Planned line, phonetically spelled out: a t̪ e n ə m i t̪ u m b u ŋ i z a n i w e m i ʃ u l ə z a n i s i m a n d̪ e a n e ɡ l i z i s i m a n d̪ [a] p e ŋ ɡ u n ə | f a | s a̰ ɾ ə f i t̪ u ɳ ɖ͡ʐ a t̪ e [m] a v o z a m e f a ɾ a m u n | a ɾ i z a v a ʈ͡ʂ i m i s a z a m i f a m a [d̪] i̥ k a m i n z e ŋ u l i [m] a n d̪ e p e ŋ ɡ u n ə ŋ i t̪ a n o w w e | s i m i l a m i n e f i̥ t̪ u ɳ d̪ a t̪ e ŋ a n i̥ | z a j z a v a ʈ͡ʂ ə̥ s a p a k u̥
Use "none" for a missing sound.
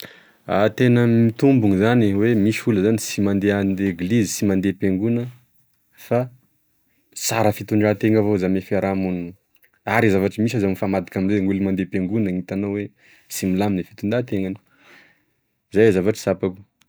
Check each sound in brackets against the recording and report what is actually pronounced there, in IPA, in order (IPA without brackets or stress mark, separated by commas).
e, ŋ, d̪, m